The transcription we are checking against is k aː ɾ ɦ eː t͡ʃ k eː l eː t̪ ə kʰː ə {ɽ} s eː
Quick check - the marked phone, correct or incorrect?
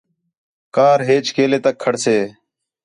correct